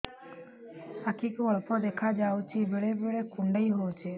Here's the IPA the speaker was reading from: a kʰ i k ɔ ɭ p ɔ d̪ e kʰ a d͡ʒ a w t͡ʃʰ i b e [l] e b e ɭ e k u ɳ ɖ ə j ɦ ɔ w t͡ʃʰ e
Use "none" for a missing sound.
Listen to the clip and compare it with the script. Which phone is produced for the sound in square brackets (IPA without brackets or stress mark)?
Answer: ɭ